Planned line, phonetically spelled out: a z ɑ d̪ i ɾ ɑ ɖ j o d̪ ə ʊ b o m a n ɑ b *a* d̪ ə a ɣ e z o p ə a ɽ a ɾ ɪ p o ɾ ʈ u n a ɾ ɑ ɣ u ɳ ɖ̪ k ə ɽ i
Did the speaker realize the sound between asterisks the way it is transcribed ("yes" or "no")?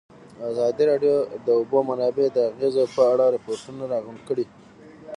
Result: no